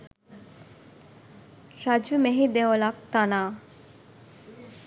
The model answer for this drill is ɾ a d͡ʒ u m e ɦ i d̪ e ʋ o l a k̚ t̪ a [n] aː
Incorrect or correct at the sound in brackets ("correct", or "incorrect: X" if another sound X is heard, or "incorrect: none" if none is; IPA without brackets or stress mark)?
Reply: correct